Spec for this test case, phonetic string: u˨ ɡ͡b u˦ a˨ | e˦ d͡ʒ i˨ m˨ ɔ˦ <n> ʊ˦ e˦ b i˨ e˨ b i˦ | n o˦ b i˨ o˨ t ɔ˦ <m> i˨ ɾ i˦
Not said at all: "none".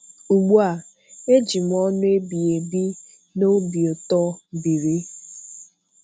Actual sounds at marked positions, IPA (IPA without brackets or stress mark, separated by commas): n, b